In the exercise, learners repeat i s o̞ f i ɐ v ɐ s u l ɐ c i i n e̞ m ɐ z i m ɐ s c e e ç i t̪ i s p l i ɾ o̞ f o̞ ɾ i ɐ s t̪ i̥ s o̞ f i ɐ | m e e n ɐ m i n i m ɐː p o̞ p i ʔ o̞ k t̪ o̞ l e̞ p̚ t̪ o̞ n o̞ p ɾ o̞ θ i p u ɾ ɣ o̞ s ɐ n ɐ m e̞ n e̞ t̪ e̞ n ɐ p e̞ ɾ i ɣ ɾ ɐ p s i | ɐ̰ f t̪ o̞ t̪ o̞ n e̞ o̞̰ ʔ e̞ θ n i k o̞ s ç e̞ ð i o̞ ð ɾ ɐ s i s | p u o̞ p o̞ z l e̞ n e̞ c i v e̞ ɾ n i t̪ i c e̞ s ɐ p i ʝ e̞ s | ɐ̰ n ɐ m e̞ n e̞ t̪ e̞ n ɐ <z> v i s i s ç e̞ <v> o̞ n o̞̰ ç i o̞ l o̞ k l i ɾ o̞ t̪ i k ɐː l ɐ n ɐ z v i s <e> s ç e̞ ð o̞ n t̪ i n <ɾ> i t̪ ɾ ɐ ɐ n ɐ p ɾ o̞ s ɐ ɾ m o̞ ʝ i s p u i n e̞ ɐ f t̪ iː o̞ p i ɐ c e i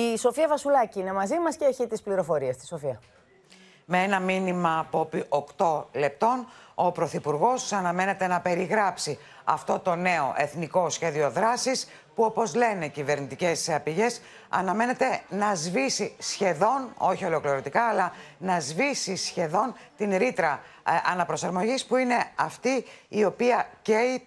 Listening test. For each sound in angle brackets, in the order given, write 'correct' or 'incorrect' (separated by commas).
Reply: correct, incorrect, incorrect, correct